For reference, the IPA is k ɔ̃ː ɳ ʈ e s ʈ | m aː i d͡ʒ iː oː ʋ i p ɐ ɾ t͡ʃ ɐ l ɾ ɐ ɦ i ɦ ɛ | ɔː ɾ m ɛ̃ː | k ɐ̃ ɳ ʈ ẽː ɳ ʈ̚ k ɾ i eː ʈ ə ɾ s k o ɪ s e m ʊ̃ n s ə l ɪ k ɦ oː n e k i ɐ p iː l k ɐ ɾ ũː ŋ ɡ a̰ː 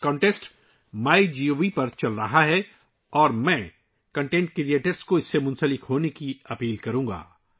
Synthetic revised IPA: k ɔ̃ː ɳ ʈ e s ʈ | m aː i d͡ʒ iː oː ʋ i p ɐ ɾ t͡ʃ ɐ l ɾ ɐ ɦ a ɦ ɛ | ɔː ɾ m ɛ̃ː | k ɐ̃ ɳ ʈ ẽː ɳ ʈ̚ k ɾ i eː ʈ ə ɾ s k o ɪ sː e m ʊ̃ n s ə l ɪ k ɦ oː n e k i ɐ p iː l k ɐ ɾ ũː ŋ ɡ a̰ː